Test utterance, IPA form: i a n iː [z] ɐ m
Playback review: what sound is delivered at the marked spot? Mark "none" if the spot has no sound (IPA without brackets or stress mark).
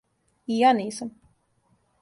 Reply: s